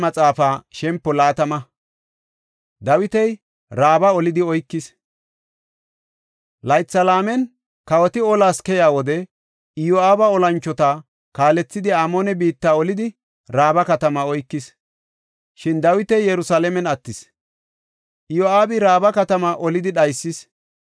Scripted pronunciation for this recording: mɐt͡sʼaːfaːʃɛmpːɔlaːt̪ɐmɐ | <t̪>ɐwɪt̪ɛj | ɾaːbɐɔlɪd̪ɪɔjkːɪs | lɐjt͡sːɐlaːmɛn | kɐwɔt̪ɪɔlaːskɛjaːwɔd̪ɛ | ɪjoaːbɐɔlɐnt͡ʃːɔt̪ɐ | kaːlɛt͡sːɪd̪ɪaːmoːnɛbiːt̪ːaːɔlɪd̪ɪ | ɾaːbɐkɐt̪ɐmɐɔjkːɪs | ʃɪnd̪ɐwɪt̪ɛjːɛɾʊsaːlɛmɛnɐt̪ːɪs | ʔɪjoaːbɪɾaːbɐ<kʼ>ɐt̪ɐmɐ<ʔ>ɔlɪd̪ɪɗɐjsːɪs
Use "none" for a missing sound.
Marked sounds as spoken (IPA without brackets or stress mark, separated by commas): d̪, k, ʔ